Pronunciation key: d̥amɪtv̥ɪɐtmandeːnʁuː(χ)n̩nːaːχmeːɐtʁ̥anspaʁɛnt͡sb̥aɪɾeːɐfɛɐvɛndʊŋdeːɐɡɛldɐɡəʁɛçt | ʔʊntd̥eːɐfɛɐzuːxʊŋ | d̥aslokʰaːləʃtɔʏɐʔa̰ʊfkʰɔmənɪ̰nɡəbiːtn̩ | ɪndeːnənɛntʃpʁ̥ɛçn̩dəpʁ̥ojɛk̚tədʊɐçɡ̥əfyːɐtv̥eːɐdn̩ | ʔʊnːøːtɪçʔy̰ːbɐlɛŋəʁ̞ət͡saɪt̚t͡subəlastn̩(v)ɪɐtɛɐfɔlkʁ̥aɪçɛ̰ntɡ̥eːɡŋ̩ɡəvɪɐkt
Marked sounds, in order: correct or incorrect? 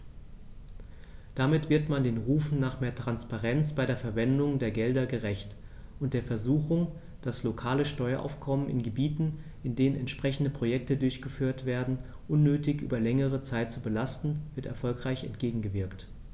incorrect: f, correct

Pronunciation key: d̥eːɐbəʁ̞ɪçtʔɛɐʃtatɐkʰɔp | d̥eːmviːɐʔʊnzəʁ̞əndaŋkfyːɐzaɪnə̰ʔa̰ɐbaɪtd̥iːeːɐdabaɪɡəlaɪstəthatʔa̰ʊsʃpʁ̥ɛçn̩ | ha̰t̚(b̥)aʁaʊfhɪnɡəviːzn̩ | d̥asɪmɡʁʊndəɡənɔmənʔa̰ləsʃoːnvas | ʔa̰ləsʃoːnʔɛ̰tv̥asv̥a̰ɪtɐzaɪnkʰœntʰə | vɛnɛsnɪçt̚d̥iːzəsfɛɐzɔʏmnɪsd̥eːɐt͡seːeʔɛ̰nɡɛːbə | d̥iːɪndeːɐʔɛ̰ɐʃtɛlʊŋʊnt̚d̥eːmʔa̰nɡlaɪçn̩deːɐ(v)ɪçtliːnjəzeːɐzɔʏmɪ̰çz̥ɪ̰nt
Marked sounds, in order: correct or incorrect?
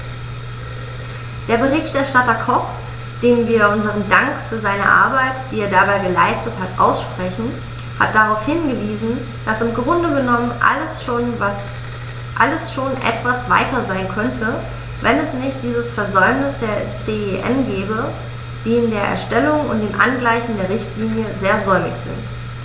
incorrect: d̥, incorrect: ʁ

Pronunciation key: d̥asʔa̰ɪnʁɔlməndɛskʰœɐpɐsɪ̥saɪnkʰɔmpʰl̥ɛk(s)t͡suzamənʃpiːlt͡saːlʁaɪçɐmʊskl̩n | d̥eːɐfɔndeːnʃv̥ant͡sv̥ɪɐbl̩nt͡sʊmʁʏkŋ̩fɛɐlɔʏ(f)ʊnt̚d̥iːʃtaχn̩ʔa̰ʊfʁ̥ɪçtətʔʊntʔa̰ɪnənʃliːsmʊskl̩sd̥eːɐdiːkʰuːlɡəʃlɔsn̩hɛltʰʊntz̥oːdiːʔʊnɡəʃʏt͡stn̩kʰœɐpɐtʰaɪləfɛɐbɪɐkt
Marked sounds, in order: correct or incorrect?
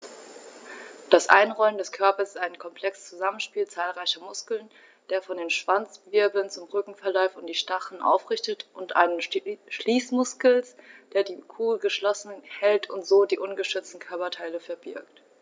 correct, correct

